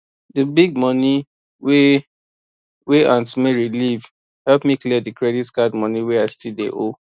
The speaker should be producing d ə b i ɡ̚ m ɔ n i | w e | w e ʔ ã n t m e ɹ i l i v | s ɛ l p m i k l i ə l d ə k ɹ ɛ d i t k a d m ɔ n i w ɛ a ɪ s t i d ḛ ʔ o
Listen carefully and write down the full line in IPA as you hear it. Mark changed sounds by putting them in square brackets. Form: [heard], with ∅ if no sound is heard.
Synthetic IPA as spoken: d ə b i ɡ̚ m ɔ n i | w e | w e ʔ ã n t m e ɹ i l i v | [h] ɛ l p m i k l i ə [∅] d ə k ɹ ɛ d i t k a d m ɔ n i w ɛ a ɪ s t i d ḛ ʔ o